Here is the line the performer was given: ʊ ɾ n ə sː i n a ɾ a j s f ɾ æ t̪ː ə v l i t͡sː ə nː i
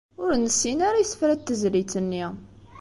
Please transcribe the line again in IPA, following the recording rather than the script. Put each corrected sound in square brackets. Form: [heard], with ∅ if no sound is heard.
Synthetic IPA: ʊ ɾ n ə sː i n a ɾ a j s f ɾ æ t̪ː ə [z] l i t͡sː ə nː i